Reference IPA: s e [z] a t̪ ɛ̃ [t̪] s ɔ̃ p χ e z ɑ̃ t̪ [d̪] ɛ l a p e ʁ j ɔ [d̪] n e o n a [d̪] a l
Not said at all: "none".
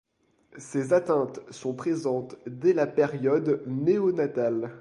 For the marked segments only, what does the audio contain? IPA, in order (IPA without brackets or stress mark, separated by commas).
z, t̪, d̪, d̪, t̪